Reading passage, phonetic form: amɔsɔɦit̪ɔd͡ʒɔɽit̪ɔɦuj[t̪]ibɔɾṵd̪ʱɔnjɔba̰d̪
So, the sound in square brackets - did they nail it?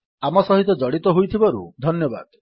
no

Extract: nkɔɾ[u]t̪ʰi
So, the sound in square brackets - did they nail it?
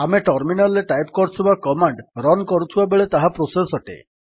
yes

